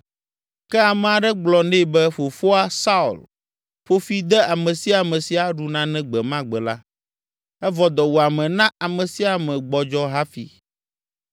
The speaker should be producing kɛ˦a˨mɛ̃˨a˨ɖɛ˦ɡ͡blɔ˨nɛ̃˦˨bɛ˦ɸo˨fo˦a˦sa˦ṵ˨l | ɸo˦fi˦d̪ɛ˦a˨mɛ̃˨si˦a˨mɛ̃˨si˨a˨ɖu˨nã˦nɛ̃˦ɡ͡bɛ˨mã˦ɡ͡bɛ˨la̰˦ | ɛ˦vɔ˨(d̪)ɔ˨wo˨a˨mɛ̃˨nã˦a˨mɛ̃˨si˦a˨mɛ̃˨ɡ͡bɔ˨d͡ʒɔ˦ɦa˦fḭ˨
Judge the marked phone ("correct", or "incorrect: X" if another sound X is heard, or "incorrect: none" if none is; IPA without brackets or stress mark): correct